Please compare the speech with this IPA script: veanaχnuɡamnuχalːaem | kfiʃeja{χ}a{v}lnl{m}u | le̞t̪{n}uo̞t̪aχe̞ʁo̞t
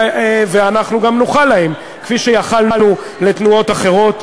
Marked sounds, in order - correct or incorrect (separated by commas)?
correct, incorrect, incorrect, correct